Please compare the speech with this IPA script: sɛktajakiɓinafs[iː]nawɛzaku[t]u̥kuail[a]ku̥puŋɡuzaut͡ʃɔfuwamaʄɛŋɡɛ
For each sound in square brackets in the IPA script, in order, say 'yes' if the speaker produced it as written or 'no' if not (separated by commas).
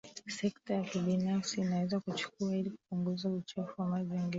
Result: yes, no, no